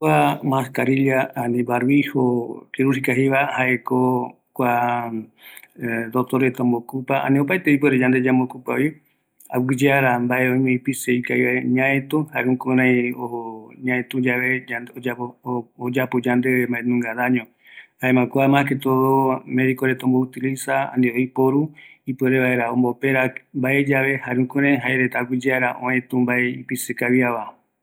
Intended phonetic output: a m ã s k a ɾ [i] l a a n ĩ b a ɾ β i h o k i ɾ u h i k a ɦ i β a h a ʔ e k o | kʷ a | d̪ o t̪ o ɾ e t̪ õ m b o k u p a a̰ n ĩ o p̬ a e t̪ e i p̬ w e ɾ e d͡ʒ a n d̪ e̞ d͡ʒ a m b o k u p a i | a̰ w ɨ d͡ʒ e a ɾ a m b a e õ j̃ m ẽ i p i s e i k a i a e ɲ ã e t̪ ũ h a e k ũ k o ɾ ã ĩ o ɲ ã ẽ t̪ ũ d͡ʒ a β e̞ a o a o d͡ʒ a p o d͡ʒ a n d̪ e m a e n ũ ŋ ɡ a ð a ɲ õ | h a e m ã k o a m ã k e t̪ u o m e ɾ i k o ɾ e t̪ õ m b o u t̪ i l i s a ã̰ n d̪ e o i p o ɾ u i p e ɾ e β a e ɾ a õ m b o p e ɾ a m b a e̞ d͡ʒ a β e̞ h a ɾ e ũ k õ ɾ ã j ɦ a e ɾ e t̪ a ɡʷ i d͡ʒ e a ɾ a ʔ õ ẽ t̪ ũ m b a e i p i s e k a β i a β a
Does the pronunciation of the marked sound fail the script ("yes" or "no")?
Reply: no